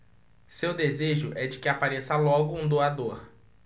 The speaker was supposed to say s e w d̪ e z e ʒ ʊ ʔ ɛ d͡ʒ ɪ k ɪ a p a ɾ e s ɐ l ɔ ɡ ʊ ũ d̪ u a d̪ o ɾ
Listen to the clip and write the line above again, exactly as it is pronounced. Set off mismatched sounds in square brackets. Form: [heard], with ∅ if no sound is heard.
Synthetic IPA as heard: s e w d̪ e z e ʒ ʊ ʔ ɛ d͡ʒ ɪ k ɪ a p a ɾ e s ɐ l ɔ ɡ ʊ ũ d̪ [o] a d̪ o ɾ